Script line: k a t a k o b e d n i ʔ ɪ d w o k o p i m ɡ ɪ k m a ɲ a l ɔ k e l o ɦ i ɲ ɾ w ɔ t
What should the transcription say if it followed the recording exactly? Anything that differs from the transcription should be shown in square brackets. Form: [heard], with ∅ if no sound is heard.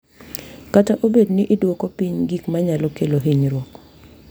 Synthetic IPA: k a t a [ʔ] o b e d n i ʔ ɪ d w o k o p i [ɲ] ɡ [i] k m a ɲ a l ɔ k e l o ɦ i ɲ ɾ w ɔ [k]